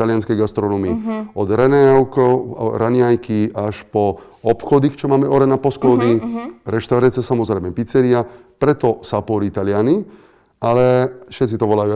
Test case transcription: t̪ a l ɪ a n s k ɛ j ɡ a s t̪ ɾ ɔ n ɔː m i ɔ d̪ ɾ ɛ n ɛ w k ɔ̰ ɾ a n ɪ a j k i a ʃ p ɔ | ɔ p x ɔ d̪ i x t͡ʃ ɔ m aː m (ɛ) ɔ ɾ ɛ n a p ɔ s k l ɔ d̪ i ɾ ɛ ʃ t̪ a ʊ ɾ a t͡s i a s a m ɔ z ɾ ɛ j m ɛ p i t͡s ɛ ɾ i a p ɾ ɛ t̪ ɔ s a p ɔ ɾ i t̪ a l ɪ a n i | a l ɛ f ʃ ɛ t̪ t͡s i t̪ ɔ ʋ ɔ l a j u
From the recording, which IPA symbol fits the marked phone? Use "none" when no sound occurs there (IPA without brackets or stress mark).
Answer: ɛ